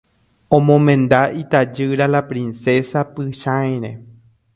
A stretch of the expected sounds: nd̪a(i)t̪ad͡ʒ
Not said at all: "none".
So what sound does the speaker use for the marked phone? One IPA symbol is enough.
i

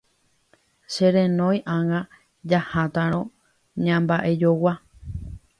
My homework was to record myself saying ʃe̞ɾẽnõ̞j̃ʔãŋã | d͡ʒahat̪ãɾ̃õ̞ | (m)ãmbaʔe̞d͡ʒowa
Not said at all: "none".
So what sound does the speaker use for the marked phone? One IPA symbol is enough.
ɲ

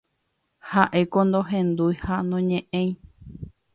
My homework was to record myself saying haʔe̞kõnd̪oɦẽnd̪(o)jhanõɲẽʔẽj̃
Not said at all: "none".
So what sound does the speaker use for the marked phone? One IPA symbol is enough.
u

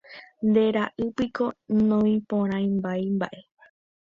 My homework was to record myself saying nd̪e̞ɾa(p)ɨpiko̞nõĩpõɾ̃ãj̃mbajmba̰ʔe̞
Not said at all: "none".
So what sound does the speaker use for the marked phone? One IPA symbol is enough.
ʔ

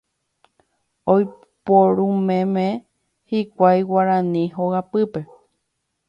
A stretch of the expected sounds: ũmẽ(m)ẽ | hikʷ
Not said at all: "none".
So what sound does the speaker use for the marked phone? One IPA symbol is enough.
m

